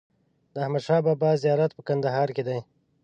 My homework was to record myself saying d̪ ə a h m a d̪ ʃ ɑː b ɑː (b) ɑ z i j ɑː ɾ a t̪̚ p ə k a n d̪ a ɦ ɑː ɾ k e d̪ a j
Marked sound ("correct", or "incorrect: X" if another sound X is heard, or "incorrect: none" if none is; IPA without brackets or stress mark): correct